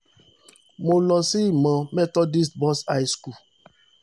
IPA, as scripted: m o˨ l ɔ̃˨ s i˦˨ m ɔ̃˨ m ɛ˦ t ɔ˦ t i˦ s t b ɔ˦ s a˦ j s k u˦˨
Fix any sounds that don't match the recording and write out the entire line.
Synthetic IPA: m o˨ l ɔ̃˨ s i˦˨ m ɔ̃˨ m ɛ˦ t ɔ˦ d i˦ s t b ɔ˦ s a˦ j s k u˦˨